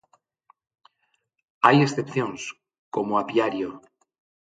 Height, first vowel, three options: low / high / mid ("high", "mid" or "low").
low